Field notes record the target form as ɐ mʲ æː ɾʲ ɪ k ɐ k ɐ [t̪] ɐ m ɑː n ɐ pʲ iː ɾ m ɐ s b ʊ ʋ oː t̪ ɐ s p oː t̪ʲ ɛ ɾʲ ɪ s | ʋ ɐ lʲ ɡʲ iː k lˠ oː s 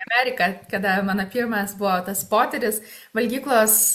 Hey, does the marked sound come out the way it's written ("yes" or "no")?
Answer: no